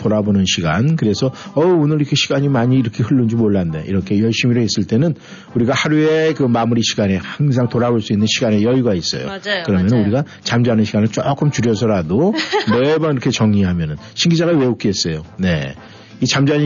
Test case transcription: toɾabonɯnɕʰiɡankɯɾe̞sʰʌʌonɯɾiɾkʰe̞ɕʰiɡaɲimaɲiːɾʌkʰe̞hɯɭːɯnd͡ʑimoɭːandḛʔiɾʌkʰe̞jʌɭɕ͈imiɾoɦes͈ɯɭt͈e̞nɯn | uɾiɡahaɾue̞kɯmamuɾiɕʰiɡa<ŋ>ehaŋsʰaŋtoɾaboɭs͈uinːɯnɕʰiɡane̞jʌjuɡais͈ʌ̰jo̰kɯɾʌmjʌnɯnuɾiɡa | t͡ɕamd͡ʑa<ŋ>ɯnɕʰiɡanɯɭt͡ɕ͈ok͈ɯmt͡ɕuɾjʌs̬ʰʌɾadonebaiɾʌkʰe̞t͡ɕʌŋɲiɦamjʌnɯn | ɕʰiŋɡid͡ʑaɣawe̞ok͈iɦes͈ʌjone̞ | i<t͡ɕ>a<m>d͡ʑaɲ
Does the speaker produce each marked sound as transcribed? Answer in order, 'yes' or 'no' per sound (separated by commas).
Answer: no, no, yes, yes